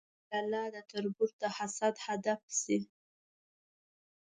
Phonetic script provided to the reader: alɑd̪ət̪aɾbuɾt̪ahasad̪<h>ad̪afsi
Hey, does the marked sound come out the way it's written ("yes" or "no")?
yes